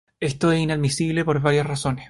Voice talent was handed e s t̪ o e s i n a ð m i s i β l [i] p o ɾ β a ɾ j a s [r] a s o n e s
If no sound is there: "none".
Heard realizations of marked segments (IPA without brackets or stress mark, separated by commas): e, r